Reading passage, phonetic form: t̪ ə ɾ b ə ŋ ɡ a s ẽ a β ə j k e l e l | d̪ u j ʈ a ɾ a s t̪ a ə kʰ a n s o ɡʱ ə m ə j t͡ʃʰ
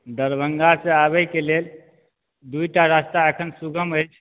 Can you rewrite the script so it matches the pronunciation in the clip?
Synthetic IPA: d̪ ə ɾ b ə ŋ ɡ a s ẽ a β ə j k e l e l | d̪ u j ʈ a ɾ a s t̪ a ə kʰ ə n s u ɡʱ ə m ə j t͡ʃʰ